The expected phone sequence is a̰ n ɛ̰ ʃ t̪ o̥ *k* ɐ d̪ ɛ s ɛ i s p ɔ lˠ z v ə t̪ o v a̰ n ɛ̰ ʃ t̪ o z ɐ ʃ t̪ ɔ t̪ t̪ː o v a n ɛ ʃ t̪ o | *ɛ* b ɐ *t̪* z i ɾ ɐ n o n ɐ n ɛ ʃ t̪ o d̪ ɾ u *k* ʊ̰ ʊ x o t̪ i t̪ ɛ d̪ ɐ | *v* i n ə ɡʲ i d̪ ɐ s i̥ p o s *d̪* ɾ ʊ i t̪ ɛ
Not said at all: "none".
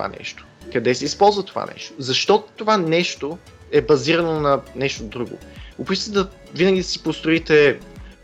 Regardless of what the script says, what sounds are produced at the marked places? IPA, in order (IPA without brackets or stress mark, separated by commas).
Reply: k, ɛ, none, ɡ, v, t̪